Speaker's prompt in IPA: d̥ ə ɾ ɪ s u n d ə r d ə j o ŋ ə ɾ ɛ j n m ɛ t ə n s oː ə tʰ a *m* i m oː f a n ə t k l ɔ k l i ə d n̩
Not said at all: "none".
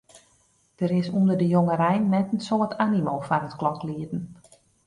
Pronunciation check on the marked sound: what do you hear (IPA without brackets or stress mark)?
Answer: n